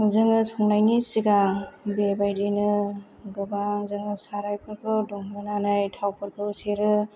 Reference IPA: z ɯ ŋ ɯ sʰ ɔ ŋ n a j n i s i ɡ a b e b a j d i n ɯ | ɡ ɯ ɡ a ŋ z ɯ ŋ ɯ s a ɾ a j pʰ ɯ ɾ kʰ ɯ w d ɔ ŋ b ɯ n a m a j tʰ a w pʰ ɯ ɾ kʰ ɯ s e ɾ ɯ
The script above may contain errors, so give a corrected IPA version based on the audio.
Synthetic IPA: z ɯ ŋ ɯ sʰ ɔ ŋ n a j n i s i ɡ a b e b a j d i n ɯ | ɡ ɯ b a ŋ z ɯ ŋ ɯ s a ɾ a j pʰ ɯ ɾ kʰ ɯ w d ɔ ŋ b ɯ n a n a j tʰ a w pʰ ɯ ɾ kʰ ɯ s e ɾ ɯ